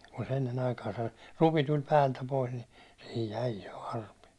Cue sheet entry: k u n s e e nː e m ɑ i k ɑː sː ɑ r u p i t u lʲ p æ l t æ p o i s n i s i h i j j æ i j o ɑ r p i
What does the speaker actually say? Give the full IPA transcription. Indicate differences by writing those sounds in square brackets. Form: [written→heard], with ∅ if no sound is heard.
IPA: k u n s e e nː e [m→n] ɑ i k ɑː [sː→s] ɑ r u p i t u lʲ p [æ→æː] l t æ p o i s n i s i h i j j æ i j o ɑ r p i